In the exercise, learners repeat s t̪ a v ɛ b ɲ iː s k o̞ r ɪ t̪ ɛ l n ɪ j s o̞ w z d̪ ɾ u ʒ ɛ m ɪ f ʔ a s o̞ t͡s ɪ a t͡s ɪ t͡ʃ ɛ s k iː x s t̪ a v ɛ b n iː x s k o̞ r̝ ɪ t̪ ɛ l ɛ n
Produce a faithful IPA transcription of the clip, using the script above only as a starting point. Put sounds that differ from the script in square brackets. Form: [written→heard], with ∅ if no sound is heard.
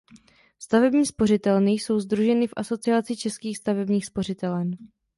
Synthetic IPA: s t̪ a v ɛ b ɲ iː s [k→p] o̞ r ɪ t̪ ɛ l n ɪ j s o̞ w z d̪ ɾ u ʒ ɛ [m→n] ɪ f ʔ a s o̞ t͡s ɪ a t͡s ɪ t͡ʃ ɛ s k iː x s t̪ a v ɛ b [n→ɲ] iː x s [k→p] o̞ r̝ ɪ t̪ ɛ l ɛ n